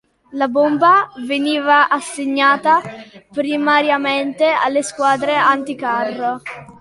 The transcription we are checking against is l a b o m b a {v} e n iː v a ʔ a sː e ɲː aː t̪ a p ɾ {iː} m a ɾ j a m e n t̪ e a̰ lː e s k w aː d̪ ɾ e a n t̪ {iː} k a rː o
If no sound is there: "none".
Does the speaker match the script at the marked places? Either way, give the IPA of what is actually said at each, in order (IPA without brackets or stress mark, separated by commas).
v, i, i